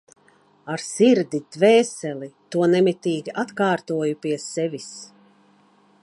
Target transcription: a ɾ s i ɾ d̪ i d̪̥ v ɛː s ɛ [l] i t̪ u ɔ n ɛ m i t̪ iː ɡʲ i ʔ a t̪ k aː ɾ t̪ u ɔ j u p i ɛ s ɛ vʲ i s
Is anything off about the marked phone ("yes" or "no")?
no